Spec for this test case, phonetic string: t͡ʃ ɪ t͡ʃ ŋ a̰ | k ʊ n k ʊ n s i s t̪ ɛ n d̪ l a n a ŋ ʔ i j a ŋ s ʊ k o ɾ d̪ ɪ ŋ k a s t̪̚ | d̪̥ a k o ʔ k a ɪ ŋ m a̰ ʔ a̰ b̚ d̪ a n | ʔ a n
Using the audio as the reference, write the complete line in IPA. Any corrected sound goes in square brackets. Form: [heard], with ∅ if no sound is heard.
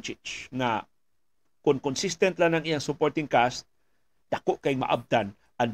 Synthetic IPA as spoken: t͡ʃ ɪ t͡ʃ ŋ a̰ | k ʊ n k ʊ n s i s t̪ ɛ n [t̪] l a n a ŋ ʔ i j a ŋ s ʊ [p] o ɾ [t̪] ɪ ŋ k a s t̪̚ | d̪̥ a k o ʔ k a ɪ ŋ m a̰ ʔ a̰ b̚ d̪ a n | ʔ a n